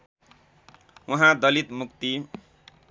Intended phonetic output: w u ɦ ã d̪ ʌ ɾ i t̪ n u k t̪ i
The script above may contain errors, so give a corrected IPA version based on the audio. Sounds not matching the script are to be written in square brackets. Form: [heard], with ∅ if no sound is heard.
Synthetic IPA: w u ɦ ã d̪ ʌ [l] i t̪ [m] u k t̪ i